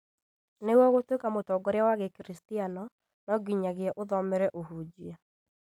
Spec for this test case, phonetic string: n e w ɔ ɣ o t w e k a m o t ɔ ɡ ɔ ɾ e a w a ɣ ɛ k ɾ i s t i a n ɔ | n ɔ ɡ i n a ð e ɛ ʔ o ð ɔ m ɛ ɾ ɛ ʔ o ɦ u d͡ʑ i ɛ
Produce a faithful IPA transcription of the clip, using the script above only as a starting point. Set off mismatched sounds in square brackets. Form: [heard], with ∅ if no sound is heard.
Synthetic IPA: n e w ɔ ɣ o t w e k a m o t ɔ ɡ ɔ ɾ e a w a ɣ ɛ k ɾ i s t i a n ɔ | n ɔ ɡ i [ɲ] a [ɣ] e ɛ ʔ o ð ɔ m ɛ ɾ ɛ ʔ o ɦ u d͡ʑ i [a]